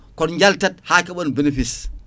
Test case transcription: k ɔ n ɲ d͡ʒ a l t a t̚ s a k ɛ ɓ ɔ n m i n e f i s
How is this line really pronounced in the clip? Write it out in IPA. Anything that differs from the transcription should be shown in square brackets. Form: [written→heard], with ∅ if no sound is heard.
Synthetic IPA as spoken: k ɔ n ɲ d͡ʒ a l t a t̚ [s→h] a k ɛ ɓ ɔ n [m→b] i n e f i s